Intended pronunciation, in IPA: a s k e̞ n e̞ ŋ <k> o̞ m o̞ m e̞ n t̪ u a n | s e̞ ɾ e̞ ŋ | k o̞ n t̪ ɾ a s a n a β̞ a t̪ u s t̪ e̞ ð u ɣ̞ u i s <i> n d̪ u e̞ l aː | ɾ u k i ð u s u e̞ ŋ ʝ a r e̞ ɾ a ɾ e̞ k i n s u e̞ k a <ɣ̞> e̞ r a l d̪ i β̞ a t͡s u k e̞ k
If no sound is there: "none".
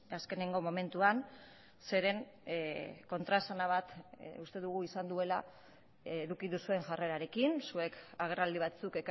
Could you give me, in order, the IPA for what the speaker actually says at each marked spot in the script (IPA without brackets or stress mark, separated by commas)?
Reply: ɡ, a, ɣ̞